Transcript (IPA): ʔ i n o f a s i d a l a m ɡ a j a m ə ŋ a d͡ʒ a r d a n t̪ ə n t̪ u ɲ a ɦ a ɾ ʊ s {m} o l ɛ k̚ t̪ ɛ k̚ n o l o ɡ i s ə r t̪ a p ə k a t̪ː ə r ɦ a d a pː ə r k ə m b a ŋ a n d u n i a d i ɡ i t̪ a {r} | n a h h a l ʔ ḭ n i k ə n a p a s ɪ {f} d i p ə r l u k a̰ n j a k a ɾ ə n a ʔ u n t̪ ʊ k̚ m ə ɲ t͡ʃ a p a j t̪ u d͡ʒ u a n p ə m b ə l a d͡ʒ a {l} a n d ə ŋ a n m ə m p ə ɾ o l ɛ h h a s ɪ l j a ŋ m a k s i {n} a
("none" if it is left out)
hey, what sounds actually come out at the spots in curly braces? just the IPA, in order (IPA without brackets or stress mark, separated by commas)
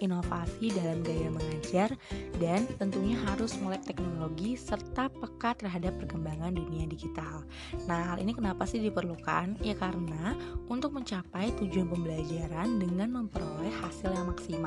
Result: m, l, h, ɾ, m